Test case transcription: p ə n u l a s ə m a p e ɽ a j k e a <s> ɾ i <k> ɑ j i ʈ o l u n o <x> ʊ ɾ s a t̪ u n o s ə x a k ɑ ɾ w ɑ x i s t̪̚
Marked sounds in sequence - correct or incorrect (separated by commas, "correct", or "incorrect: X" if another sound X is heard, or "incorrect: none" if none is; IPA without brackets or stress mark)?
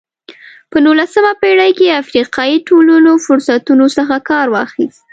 incorrect: f, incorrect: q, incorrect: f